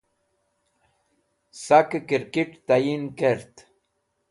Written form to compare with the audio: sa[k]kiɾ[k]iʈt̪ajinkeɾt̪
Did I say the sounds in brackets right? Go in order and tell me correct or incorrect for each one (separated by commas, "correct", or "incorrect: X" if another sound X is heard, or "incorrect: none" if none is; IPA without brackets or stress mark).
correct, correct